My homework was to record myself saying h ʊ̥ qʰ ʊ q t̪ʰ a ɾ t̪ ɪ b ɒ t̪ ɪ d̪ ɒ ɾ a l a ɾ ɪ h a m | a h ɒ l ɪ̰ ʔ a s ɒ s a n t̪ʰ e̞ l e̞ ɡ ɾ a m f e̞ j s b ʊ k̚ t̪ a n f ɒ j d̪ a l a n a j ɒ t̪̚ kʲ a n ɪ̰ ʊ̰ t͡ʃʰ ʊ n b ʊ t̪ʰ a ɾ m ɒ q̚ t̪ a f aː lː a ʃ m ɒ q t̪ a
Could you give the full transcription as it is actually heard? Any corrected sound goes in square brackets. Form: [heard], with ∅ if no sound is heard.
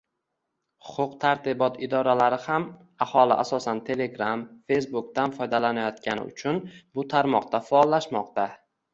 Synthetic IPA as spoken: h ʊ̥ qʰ ʊ q t̪ʰ a ɾ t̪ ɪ b ɒ t̪ ɪ d̪ ɒ ɾ a l a ɾ ɪ h a m | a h ɒ l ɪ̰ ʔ a s ɒ s a n t̪ʰ e̞ l e̞ ɡ ɾ a m f e̞ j s b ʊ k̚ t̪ a n f ɒ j d̪ a l a n a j ɒ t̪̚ kʲ a n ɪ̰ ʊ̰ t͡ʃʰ ʊ n b ʊ t̪ʰ a ɾ m ɒ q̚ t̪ a f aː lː a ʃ m ɒ q t̪ a

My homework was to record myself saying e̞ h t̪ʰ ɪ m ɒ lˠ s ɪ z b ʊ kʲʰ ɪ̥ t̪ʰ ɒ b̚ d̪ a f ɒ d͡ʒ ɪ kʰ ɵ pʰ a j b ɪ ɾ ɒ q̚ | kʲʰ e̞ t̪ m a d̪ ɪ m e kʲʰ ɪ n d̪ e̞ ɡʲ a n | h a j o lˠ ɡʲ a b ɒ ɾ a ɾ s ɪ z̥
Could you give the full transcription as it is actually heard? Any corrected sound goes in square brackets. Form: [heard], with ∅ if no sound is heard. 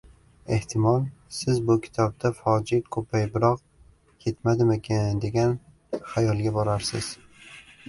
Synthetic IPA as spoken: e̞ h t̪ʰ ɪ m ɒ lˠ s ɪ z b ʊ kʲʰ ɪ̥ t̪ʰ ɒ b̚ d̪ a f ɒ d͡ʒ ɪ kʰ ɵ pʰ a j b ɪ ɾ ɒ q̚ | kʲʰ e̞ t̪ m a d̪ ɪ m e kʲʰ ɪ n d̪ e̞ ɡʲ a n | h a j [ɒ] lˠ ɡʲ a b ɒ ɾ a ɾ s ɪ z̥

